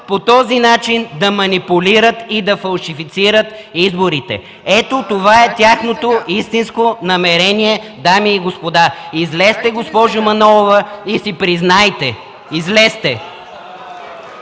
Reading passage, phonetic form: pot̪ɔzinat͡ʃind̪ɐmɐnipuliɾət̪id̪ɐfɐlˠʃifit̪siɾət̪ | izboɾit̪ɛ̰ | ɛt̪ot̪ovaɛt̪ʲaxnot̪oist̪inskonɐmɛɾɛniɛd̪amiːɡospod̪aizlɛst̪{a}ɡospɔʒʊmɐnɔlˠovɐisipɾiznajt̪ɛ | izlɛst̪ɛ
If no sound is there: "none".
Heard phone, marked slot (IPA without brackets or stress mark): ɛ